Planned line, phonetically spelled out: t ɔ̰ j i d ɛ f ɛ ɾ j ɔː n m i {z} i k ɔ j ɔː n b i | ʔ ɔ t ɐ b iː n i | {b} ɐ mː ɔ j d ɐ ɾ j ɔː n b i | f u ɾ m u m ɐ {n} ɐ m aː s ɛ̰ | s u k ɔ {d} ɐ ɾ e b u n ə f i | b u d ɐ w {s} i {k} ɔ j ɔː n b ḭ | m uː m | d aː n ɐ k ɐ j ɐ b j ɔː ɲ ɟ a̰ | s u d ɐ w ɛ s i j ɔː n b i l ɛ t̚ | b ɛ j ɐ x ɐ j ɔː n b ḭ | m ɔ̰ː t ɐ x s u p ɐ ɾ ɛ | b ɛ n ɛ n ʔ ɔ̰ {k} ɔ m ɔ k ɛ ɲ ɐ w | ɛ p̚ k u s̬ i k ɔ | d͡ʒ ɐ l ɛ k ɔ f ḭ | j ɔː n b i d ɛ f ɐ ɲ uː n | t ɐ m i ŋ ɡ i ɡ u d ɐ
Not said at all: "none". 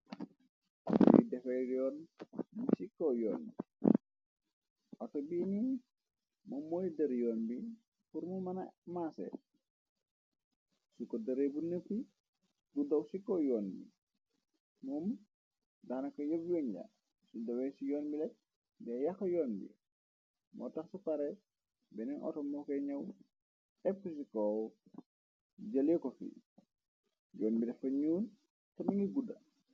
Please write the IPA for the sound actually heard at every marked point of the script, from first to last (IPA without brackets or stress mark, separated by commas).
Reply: s, m, n, d, s, k, t